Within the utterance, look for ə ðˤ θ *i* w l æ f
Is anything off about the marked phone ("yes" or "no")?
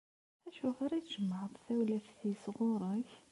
yes